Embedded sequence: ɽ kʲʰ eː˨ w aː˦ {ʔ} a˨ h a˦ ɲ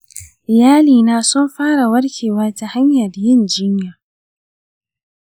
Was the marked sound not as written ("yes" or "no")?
yes